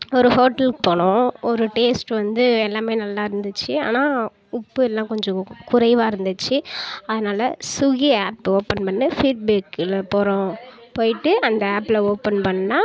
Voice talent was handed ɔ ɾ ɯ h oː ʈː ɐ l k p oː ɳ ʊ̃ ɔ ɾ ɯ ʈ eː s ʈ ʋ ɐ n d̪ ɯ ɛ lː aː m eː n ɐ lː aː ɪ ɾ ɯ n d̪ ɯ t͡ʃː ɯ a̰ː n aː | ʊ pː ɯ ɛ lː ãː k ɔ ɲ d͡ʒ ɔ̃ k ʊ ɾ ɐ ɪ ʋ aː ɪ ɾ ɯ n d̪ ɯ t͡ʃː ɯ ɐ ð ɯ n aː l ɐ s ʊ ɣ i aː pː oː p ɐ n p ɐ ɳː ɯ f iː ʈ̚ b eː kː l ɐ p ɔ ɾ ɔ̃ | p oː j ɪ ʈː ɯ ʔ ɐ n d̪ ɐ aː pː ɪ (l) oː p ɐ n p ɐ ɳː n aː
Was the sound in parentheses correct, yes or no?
yes